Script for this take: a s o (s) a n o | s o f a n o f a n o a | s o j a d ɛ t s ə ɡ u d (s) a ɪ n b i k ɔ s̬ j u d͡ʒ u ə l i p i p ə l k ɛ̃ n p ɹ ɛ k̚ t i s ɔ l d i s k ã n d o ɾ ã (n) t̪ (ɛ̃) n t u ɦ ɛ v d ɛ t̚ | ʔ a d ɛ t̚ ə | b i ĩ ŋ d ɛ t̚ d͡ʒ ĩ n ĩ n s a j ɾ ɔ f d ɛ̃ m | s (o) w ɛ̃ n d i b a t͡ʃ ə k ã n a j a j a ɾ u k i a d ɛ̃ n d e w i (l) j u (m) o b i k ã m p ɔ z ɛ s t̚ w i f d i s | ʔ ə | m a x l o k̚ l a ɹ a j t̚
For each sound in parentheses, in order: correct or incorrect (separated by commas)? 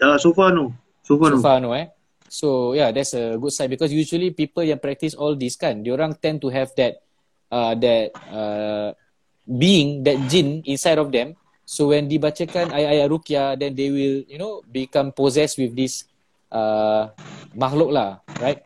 incorrect, correct, incorrect, correct, correct, correct, incorrect